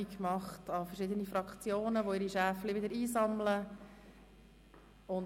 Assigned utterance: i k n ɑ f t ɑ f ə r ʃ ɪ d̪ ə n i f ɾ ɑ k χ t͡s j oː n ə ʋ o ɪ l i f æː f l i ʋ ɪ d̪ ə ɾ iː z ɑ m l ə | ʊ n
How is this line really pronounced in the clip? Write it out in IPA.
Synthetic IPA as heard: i k m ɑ χ t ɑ f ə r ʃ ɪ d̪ ə n i f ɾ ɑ k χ t͡s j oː n ə ʋ o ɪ ɾ i ʃ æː f l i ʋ ɪ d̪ ə ɾ iː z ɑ m l ə | ʊ n